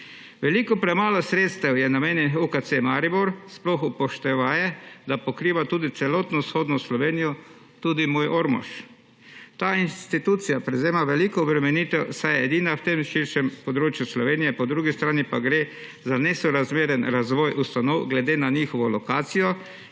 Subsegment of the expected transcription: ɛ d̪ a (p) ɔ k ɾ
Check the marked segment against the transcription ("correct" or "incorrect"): correct